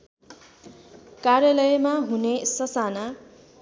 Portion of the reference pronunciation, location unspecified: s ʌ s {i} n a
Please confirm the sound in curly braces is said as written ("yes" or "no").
no